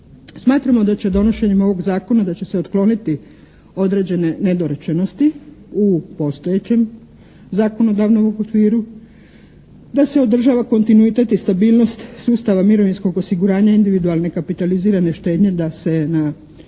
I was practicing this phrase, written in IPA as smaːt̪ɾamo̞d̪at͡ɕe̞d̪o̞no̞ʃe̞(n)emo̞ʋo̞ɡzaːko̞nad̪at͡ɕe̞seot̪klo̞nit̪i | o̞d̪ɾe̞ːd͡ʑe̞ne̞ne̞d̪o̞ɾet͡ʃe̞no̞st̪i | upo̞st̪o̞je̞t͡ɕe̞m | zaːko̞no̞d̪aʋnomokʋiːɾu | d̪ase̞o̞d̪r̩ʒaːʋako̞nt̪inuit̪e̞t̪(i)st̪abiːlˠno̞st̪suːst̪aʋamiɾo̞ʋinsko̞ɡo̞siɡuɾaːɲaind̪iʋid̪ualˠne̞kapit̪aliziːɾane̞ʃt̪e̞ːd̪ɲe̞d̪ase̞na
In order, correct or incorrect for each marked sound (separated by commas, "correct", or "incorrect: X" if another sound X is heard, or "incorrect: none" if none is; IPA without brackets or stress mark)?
incorrect: ɲ, correct